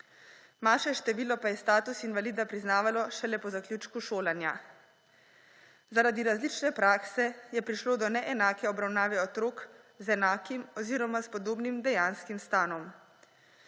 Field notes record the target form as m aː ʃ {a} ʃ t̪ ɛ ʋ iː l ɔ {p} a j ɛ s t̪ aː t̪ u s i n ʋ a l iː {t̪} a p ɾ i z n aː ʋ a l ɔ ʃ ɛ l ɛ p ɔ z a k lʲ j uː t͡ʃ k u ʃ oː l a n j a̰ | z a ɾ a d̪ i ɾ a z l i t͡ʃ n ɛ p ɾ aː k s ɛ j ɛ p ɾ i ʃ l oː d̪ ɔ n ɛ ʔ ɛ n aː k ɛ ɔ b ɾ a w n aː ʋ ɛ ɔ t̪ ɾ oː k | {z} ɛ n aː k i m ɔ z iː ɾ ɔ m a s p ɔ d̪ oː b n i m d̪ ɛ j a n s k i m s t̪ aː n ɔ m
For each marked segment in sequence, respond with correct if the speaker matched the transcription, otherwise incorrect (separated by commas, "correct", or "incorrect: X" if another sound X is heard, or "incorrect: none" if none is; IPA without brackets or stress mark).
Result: incorrect: ɛ, correct, incorrect: d̪, correct